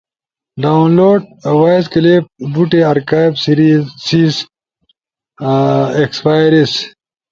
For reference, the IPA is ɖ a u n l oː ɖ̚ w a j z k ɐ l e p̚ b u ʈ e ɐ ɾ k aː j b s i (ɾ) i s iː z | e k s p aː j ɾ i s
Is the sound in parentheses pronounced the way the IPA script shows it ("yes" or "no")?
yes